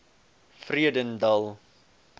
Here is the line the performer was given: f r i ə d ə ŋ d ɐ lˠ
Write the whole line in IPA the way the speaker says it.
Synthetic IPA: f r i ə d ə n d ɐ lˠ

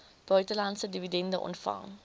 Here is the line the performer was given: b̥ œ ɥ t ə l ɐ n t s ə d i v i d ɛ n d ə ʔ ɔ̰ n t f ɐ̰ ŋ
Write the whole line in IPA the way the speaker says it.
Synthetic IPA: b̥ œ ɥ t ə l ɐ n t s ə d i v i d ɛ n d ə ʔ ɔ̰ n t f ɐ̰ ŋ

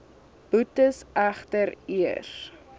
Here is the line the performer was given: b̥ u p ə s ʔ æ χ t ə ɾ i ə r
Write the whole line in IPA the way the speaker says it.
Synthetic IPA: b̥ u t ə s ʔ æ χ t ə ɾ i ə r

